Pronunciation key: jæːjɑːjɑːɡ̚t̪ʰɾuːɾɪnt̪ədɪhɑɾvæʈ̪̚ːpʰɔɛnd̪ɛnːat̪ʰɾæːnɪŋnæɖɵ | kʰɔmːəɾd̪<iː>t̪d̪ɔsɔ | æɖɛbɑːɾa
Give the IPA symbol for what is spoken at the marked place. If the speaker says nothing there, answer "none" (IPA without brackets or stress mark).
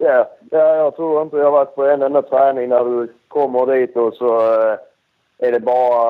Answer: iː